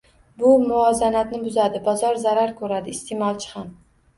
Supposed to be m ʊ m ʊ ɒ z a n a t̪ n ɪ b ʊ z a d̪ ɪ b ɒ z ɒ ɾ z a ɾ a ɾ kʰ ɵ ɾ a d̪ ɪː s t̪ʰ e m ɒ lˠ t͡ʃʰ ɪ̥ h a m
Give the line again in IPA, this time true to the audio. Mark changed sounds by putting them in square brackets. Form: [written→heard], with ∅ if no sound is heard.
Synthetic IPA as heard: [m→b] ʊ m ʊ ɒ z a n a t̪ n ɪ b ʊ z a d̪ ɪ b ɒ z ɒ ɾ z a ɾ a ɾ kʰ ɵ ɾ a d̪ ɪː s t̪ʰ e m ɒ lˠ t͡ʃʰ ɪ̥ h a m